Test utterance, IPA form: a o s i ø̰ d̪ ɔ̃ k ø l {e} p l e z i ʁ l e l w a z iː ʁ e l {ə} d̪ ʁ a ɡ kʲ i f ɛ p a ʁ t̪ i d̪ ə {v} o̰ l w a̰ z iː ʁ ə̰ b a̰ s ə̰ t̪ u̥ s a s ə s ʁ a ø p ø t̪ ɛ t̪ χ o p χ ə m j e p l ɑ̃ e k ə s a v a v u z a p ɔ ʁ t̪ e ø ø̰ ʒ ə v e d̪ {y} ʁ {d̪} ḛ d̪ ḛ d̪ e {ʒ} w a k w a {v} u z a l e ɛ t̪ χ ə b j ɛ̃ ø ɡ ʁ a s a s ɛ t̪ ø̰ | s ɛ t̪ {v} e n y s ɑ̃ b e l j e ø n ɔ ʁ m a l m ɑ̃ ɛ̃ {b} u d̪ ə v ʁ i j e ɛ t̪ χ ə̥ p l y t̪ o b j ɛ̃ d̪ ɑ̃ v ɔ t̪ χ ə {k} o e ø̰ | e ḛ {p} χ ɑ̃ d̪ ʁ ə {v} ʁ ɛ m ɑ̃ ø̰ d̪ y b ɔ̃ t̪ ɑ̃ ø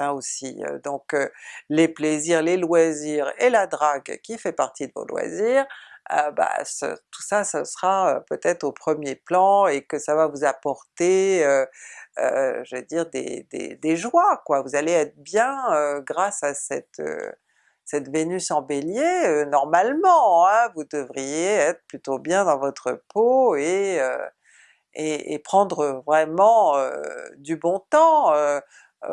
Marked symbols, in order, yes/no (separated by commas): yes, no, yes, no, yes, yes, yes, yes, no, no, yes, yes